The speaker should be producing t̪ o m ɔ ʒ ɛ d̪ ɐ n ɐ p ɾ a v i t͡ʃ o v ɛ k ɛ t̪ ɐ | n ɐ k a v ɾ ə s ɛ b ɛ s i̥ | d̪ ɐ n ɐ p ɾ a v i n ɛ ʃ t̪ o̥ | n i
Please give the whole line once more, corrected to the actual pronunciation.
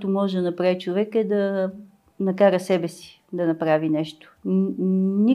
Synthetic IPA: t̪ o m ɔ ʒ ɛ d̪ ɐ n ɐ p ɾ a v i t͡ʃ o v ɛ k ɛ d̪ ɐ | n ɐ k a ɾ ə s ɛ b ɛ s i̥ | d̪ ɐ n ɐ p ɾ a v i n ɛ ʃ t̪ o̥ | n i